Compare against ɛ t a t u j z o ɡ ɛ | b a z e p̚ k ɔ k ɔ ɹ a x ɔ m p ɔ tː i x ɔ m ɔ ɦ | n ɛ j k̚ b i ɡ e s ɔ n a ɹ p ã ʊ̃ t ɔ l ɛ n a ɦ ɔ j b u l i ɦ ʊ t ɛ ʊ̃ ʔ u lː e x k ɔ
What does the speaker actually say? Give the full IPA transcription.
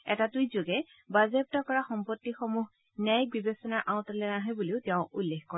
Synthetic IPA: ɛ t a t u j z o ɡ ɛ | b a z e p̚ t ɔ k ɔ ɹ a x ɔ m p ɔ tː i x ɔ m u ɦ | n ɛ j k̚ b i b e s ɔ n a ɹ ʔ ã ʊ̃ t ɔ l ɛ n a ɦ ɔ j b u l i ʊ t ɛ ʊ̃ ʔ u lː e x k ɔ